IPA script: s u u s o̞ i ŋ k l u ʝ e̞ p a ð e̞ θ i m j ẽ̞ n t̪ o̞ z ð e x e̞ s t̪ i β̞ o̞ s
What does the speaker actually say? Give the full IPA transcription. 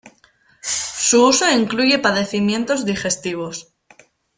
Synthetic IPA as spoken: s u u s o̞ i ŋ k l u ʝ e̞ p a ð e̞ θ i m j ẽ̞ n t̪ o̞ z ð i x e̞ s t̪ i β̞ o̞ s